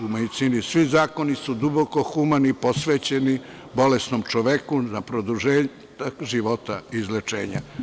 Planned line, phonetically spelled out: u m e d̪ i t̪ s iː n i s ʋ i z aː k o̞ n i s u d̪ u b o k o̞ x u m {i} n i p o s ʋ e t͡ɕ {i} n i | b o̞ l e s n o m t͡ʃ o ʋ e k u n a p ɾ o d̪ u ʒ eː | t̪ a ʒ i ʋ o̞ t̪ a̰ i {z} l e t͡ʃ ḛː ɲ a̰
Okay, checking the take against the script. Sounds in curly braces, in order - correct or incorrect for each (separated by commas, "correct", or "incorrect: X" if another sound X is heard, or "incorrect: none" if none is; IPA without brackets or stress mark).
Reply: incorrect: a, incorrect: e, correct